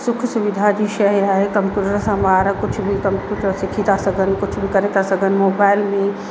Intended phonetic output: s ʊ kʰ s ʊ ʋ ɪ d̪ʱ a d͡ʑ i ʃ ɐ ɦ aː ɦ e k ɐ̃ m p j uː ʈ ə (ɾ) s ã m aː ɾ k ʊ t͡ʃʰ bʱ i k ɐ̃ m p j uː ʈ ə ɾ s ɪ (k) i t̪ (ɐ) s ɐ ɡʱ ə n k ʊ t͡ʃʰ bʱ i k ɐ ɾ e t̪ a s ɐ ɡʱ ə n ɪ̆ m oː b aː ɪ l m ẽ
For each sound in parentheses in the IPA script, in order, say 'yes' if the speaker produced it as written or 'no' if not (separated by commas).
yes, no, no